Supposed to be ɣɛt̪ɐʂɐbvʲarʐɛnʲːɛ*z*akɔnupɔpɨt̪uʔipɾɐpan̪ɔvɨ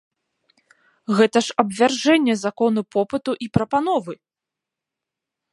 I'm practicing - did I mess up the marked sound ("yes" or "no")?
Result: no